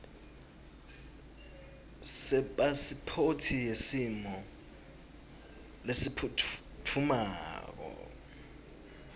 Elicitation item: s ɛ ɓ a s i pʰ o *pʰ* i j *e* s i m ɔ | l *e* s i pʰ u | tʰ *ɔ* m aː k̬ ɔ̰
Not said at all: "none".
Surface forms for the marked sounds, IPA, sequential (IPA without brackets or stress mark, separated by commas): tʰ, e, e, u